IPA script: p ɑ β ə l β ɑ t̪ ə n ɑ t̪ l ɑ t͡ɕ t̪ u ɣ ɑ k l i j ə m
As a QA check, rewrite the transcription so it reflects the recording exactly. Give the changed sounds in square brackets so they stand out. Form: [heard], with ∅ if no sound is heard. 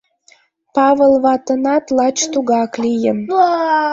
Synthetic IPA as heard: p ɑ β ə l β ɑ t̪ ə n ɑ t̪ l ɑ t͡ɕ t̪ u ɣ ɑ k l i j ə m